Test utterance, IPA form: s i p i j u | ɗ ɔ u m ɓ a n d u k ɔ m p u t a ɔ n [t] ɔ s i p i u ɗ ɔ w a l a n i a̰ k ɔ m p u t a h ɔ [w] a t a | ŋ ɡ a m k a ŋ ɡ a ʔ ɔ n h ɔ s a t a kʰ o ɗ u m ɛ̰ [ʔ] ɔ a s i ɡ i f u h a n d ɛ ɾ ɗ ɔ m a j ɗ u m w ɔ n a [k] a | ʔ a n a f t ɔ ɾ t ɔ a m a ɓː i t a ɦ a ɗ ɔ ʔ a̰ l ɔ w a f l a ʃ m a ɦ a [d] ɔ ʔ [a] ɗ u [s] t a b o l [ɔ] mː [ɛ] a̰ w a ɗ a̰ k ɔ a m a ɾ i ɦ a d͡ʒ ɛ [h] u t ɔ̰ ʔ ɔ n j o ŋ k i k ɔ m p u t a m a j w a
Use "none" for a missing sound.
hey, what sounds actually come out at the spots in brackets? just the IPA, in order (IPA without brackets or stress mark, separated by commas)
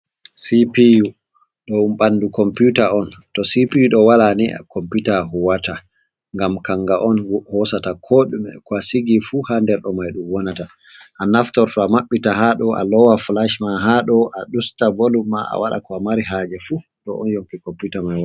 t, w, k, t, ɗ, a, s, u, a, f